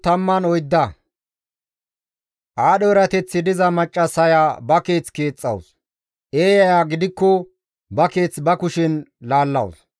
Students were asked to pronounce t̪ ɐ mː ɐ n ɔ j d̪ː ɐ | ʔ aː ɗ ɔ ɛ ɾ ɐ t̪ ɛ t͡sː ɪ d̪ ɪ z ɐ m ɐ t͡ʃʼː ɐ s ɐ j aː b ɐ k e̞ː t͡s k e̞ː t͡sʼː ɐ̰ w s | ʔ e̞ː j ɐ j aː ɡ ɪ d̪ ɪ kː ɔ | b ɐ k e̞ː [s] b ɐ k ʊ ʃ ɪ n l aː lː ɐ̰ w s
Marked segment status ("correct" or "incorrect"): incorrect